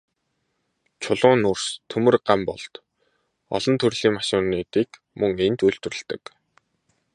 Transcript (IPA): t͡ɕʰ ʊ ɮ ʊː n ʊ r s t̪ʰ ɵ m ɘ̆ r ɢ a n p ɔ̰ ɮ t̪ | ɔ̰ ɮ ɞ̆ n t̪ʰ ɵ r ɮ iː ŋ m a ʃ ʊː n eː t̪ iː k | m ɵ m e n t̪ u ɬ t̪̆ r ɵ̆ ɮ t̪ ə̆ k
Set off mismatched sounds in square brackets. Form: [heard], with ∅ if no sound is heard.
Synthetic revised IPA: t͡ɕʰ ʊ ɮ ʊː n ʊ r s t̪ʰ ɵ m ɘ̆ r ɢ a [m] p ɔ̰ ɮ t̪ | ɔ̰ ɮ ɞ̆ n t̪ʰ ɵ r ɮ iː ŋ m a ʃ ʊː n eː t̪ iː k | m ɵ [ŋ] e n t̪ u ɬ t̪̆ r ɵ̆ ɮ t̪ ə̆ k